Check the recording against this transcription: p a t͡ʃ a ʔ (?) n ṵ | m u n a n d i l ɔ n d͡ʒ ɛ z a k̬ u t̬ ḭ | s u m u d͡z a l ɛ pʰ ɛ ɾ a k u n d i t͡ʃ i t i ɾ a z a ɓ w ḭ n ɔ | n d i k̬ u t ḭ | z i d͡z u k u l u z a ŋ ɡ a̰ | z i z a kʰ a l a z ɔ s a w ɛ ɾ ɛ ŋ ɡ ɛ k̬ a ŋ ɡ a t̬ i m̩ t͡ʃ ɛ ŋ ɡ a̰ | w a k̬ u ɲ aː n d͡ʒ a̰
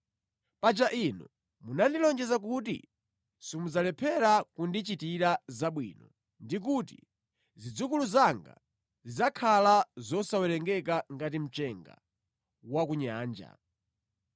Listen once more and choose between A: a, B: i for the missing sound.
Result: B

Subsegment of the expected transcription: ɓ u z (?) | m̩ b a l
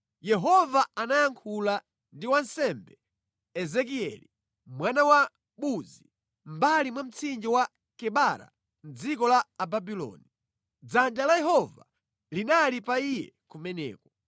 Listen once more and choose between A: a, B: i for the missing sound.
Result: B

